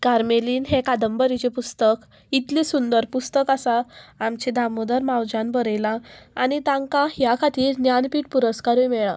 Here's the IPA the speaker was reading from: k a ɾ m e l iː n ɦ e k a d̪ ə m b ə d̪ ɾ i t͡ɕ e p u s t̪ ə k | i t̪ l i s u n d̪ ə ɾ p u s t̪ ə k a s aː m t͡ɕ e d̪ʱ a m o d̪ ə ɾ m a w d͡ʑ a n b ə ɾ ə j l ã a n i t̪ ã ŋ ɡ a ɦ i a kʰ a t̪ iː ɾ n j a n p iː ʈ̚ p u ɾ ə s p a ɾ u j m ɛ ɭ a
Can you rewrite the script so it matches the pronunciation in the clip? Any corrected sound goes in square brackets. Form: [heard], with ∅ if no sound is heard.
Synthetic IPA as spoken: k a ɾ m e l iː n ɦ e k a d̪ ə m b ə [∅] ɾ i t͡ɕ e p u s t̪ ə k | i t̪ l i s u n d̪ ə ɾ p u s t̪ ə k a s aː m t͡ɕ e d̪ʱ a m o d̪ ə ɾ m a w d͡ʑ a n b ə ɾ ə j l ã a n i t̪ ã ŋ [k] a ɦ [j] a kʰ a t̪ iː ɾ n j a n p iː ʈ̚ p u ɾ ə s [k] a ɾ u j m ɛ ɭ a